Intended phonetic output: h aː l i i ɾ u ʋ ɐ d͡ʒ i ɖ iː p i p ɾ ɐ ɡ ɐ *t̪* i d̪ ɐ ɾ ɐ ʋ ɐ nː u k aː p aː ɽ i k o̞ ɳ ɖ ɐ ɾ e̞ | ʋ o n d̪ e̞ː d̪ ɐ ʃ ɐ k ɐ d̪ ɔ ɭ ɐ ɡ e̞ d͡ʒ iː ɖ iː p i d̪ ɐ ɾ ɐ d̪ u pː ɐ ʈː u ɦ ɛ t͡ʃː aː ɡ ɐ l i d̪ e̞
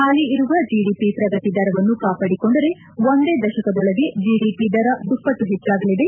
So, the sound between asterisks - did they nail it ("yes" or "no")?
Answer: yes